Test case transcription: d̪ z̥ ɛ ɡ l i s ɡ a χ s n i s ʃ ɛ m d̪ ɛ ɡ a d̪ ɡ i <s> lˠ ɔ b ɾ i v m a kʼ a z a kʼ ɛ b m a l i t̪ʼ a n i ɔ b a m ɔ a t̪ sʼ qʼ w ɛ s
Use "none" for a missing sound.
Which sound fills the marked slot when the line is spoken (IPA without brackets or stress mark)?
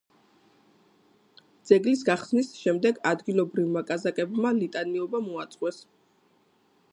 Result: none